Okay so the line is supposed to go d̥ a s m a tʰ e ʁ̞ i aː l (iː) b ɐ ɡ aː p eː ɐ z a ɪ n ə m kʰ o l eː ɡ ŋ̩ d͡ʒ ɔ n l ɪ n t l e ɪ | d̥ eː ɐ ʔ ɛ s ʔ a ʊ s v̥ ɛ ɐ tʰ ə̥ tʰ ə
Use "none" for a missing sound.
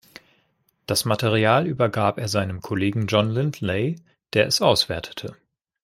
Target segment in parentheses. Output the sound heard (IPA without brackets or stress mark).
yː